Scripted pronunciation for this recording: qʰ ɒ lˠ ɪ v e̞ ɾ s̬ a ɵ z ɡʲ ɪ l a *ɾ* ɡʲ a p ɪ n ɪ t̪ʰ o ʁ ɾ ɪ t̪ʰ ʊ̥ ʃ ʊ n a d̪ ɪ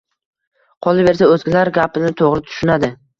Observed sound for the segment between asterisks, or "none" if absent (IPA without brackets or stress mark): ɾ